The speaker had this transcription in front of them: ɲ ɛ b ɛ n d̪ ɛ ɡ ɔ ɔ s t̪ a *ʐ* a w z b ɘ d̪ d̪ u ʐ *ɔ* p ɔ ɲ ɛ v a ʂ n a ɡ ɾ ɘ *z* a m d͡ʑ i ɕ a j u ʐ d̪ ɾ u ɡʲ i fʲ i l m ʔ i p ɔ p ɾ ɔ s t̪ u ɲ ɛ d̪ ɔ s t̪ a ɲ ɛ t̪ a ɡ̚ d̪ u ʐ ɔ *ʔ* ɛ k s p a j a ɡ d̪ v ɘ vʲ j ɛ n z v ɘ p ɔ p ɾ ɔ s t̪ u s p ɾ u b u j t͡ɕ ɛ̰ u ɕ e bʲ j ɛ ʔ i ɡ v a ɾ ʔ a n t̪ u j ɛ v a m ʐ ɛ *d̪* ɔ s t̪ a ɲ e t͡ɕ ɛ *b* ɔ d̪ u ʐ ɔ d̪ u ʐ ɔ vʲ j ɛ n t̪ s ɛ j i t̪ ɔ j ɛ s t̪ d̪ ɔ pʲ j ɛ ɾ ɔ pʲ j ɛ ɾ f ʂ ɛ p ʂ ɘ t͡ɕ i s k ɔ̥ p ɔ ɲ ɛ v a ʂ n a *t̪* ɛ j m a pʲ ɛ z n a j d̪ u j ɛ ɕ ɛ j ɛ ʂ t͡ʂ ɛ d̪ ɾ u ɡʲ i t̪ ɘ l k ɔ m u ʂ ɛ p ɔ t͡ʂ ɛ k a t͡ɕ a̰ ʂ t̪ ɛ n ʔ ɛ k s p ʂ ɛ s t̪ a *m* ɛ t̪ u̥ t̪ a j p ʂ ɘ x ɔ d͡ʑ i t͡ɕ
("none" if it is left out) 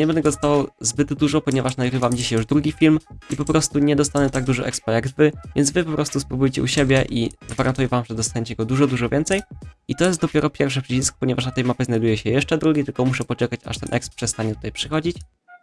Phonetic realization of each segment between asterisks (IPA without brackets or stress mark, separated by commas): v, ɔ, v, ʔ, d̪, ɡ, t̪, ɲ